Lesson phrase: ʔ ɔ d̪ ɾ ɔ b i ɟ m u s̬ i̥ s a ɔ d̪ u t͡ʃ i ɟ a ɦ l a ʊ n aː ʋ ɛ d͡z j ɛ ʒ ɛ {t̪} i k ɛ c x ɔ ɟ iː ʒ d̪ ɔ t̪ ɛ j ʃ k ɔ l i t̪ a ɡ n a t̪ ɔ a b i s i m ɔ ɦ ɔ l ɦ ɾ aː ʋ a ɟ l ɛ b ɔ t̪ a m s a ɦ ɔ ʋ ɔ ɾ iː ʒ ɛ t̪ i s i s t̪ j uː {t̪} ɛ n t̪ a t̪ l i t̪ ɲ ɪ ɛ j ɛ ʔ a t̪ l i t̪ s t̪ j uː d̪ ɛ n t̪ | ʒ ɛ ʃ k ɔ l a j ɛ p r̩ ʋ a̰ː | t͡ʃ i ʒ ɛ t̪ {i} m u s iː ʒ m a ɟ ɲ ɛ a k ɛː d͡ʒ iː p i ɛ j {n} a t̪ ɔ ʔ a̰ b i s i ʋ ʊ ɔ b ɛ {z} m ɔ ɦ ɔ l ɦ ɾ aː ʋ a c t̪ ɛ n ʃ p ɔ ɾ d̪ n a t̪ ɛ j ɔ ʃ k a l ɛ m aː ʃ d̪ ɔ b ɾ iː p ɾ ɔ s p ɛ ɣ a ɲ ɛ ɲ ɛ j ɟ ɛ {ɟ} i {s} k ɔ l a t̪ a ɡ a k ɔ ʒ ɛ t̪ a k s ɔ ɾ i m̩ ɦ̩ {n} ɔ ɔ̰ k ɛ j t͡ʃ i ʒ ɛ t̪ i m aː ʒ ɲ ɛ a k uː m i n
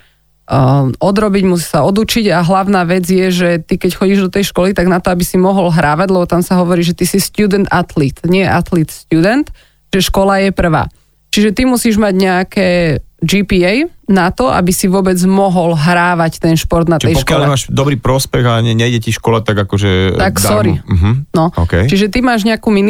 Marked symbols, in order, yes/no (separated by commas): yes, no, yes, yes, no, no, no, yes